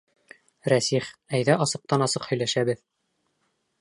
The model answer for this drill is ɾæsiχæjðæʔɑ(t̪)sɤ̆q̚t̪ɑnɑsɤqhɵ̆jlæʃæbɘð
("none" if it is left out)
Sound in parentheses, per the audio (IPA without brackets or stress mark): none